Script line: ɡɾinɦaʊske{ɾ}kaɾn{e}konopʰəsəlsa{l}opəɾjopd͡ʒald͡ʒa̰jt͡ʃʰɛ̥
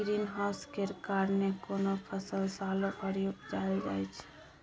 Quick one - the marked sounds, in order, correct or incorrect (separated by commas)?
correct, correct, correct